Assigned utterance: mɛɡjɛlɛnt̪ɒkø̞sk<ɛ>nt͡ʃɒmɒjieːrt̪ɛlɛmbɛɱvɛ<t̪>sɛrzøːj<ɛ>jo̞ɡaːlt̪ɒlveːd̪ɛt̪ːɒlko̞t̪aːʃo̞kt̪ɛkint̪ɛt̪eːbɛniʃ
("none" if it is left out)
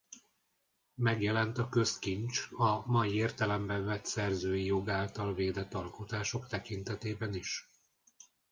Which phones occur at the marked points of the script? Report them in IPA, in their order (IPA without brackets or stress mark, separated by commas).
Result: i, t̪, i